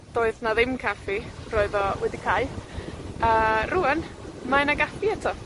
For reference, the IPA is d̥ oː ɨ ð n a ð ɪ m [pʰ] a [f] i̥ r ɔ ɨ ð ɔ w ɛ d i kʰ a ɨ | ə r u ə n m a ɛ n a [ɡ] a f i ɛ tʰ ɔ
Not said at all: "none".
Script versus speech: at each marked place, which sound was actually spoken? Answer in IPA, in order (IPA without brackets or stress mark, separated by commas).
kʰ, f, ɡ